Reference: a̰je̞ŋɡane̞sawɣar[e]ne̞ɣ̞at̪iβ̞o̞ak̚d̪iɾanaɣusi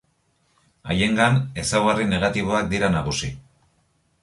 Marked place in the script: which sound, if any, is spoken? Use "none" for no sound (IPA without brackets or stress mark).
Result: i